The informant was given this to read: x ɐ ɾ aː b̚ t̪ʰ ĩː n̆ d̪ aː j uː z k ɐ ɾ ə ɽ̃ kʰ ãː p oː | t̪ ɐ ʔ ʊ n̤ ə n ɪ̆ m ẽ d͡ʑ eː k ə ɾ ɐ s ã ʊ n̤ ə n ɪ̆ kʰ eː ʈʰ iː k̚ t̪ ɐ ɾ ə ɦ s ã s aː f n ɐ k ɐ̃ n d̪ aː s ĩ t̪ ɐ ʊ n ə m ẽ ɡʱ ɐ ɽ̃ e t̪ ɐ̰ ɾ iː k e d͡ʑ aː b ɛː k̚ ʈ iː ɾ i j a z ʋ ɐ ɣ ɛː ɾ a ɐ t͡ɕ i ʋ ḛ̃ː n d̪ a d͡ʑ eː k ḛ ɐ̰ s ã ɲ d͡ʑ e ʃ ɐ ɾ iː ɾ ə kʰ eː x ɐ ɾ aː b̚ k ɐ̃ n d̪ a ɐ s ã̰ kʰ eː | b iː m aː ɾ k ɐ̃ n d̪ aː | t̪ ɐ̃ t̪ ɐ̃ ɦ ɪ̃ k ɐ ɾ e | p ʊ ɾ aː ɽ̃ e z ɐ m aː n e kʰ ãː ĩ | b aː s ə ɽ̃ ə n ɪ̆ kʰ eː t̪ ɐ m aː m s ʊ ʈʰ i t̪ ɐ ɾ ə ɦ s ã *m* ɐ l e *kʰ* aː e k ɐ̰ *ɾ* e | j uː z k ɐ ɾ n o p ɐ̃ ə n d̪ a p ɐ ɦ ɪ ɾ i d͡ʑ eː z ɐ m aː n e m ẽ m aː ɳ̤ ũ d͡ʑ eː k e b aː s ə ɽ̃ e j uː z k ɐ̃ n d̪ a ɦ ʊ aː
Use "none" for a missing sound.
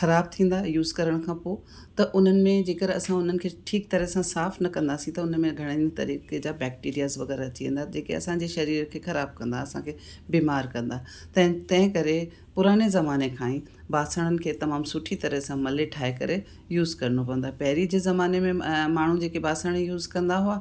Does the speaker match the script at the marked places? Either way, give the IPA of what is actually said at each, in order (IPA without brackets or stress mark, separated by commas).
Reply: m, ʈʰ, ɾ